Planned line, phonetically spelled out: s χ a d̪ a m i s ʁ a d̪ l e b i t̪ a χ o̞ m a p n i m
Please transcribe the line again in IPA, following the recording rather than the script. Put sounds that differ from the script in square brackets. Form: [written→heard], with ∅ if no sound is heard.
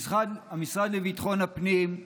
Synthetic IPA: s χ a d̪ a m i s ʁ a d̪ l e [b→v] i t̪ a χ o̞ [m→n] a p n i m